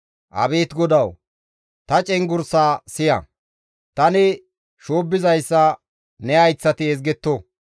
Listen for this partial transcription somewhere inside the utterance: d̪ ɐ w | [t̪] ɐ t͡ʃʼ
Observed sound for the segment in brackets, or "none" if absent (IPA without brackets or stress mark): t̪